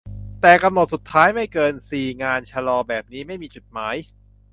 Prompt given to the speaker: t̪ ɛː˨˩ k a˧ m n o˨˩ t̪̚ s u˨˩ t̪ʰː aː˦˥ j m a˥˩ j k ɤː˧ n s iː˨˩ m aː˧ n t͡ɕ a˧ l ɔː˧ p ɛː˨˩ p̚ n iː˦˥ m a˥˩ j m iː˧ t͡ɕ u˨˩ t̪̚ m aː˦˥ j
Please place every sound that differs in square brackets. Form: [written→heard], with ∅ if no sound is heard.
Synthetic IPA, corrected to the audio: t̪ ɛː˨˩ k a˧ m n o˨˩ t̪̚ s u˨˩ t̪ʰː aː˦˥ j m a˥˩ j k ɤː˧ n s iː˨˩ [m→ŋ] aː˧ n [t͡ɕ→t͡ɕʰ] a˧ l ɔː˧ [p→b] ɛː˨˩ p̚ n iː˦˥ m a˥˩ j m iː˧ t͡ɕ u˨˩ t̪̚ m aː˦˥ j